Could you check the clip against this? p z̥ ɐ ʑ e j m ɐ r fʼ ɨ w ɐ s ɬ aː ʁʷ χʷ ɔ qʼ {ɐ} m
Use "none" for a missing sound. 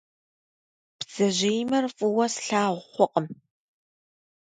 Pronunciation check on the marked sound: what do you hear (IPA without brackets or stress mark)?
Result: ə